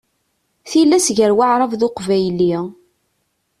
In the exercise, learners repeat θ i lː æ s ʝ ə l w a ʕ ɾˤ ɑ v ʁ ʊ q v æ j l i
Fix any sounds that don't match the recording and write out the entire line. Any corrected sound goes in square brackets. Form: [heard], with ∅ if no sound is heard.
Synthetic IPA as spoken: θ i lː æ s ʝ ə [ɾ] w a ʕ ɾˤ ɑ v [ð] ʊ q v æ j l i